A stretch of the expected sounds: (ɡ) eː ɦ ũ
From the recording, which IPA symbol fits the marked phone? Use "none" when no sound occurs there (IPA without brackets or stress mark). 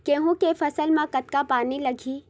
k